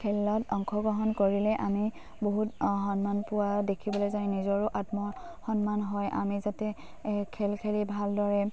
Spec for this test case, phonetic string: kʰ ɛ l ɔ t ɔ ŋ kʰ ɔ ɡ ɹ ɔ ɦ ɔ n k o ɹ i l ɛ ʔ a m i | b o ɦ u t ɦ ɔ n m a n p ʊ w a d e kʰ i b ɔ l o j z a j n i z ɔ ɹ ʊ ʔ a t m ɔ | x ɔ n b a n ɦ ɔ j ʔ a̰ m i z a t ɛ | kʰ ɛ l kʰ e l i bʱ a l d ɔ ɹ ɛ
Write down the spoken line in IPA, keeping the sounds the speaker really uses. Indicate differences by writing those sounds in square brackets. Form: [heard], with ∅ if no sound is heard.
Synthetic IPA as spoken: kʰ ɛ l ɔ t ɔ ŋ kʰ ɔ ɡ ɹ ɔ ɦ ɔ n k o ɹ i l ɛ ʔ a m i | b o ɦ u t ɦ ɔ n m a n p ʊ w a d e kʰ i b ɔ l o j z a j n i z ɔ ɹ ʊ ʔ a t m ɔ | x ɔ n [m] a n ɦ ɔ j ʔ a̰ m i z a t ɛ | kʰ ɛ l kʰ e l i bʱ a l d ɔ ɹ ɛ